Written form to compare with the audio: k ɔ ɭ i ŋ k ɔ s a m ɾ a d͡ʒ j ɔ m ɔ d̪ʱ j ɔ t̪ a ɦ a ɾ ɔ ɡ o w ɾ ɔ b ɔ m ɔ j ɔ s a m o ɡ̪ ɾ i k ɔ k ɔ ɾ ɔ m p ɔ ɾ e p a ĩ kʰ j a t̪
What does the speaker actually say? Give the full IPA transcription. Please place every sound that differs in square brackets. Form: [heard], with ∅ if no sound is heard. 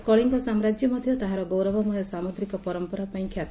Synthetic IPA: k ɔ ɭ i ŋ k ɔ s a m ɾ a d͡ʒ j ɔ m ɔ d̪ʱ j ɔ t̪ a ɦ a ɾ ɔ ɡ o w ɾ ɔ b ɔ m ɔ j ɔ s a m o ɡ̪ ɾ i k ɔ [p] ɔ ɾ ɔ m p ɔ ɾ [a] p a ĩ kʰ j a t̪